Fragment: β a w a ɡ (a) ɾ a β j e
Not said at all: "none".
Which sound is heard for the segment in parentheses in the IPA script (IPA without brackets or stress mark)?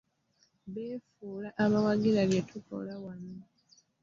i